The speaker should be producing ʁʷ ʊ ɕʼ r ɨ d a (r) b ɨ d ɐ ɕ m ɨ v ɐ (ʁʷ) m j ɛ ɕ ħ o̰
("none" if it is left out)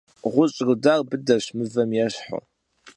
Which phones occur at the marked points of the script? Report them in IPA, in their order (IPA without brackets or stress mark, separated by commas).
r, none